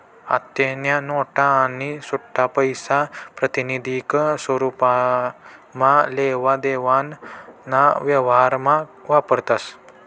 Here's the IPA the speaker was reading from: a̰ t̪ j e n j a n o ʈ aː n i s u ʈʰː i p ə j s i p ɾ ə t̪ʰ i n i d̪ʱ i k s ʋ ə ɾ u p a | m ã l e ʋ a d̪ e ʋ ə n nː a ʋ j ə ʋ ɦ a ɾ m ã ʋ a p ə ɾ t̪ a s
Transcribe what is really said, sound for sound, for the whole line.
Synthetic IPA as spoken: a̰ t̪ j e n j a n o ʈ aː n i s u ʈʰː a p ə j s a p ɾ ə t̪ i n i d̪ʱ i k s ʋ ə ɾ u p a | m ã l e ʋ a d̪ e ʋ a n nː a ʋ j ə ʋ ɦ a ɾ m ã ʋ a p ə ɾ t̪ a s